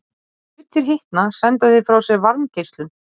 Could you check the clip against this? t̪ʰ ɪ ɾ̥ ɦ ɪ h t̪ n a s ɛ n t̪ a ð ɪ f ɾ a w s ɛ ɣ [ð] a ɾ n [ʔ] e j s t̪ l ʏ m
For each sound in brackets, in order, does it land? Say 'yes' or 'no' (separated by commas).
no, no